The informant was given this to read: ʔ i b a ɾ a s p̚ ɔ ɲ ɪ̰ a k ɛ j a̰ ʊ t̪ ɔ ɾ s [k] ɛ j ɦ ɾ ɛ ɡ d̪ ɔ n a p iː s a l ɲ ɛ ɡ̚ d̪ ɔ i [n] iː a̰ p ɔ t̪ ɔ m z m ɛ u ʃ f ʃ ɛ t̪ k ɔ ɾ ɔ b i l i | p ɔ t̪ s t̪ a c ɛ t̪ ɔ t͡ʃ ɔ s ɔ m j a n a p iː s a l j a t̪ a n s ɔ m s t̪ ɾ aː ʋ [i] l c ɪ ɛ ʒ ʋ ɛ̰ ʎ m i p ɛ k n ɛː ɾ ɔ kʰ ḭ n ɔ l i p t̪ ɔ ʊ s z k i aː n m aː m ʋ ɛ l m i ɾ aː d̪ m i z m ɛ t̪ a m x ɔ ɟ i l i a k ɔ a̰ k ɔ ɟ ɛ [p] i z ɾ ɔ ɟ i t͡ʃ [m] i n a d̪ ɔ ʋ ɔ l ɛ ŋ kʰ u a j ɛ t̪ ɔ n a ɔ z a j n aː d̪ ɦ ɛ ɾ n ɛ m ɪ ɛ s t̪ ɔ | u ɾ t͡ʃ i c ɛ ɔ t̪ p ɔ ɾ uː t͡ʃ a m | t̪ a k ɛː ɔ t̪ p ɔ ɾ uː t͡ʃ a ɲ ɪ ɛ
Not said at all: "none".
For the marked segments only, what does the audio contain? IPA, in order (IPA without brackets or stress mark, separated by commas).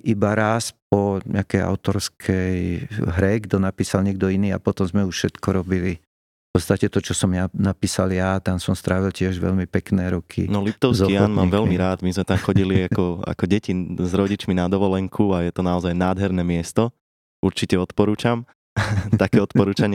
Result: kʰ, n, i, c, m